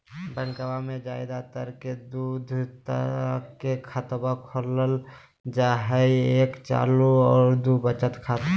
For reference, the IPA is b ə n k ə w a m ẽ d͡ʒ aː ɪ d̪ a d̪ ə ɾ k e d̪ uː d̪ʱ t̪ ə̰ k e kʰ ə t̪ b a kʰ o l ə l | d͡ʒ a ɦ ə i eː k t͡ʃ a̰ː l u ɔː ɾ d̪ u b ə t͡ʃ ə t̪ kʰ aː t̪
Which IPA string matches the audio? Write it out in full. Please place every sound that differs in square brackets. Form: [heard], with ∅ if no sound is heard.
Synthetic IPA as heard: b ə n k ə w a m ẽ d͡ʒ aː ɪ d̪ a [t̪] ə ɾ k e d̪ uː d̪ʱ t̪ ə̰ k e kʰ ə t̪ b a kʰ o l ə l | d͡ʒ a ɦ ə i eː k t͡ʃ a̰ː l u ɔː ɾ d̪ u b ə t͡ʃ ə t̪ kʰ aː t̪